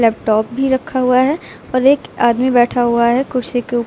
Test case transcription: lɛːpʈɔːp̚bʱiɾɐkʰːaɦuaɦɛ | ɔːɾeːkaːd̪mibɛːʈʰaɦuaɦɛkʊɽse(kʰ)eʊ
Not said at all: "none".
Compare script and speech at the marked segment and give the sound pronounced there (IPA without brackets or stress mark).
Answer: k